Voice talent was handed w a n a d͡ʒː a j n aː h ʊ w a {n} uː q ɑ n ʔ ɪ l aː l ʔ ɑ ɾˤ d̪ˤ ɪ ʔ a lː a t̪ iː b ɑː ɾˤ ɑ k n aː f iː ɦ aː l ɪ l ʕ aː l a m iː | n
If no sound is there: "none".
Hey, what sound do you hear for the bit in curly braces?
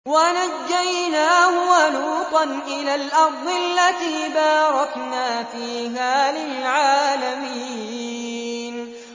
n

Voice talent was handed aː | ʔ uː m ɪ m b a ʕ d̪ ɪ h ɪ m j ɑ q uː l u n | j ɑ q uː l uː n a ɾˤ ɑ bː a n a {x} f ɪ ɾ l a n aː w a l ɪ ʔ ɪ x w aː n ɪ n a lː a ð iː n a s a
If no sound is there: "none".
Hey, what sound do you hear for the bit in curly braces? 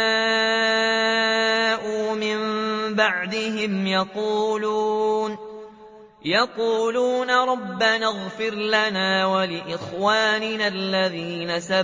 ɣ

